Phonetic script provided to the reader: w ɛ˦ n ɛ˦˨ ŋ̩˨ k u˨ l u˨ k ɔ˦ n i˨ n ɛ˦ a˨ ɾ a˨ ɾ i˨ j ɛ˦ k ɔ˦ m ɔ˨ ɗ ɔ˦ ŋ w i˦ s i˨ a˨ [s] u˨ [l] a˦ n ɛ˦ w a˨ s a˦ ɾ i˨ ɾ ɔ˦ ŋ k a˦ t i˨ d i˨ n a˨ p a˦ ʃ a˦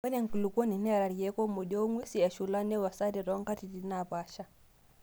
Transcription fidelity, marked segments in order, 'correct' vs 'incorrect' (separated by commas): incorrect, correct